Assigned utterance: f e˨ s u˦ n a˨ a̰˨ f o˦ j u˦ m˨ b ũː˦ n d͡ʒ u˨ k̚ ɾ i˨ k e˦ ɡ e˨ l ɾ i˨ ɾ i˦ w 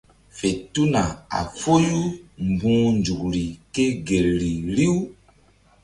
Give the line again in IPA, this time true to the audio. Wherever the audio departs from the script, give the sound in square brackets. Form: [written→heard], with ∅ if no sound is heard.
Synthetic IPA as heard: f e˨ [s→t] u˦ n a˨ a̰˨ f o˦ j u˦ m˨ b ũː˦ n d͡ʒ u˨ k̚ ɾ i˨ k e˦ ɡ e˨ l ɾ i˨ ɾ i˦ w

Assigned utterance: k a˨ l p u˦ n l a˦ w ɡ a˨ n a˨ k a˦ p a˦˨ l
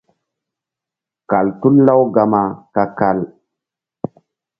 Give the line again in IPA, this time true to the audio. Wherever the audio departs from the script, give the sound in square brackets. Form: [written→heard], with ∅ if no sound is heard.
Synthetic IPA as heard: k a˨ l [p→t] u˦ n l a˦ w ɡ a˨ [n→m] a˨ k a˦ [p→k] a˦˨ l

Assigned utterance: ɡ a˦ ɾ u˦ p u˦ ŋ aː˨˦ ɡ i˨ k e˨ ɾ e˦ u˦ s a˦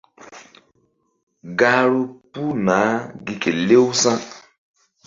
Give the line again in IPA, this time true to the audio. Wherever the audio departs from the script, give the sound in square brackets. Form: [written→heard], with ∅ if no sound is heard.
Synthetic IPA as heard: ɡ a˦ ɾ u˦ p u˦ [ŋ→n] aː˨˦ ɡ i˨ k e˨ [ɾ→l] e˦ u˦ s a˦

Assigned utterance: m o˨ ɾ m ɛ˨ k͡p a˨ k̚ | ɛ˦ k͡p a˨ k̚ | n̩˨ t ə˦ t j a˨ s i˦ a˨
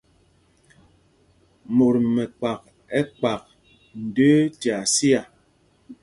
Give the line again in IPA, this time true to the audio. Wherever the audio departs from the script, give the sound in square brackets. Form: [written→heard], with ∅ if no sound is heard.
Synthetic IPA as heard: m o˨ ɾ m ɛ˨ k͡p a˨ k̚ | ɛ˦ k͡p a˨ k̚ | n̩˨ [t→d] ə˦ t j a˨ s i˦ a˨

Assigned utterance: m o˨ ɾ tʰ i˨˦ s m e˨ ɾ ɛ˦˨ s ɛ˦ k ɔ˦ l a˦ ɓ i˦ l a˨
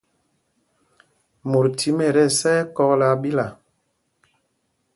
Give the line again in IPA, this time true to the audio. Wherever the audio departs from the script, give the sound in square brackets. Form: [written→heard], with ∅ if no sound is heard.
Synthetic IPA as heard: m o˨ ɾ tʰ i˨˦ [s→∅] m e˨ ɾ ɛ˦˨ s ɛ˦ k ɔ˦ l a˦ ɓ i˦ l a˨

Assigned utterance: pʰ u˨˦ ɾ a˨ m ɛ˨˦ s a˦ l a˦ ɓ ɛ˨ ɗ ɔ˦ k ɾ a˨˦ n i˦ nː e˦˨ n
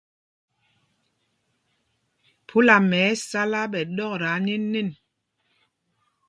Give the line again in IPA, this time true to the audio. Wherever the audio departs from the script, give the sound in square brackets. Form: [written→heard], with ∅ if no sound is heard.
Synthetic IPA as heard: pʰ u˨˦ [ɾ→l] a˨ m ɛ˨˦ s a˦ l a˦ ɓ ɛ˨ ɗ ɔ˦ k ɾ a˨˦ n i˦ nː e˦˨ n

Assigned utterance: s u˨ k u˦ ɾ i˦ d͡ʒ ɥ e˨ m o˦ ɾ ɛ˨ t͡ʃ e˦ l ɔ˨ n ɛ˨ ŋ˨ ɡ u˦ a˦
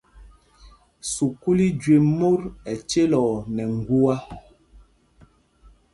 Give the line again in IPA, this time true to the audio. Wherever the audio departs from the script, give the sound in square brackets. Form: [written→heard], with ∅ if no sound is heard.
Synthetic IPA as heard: s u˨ k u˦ [ɾ→l] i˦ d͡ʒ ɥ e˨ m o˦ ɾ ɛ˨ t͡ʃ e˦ l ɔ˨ n ɛ˨ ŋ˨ ɡ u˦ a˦

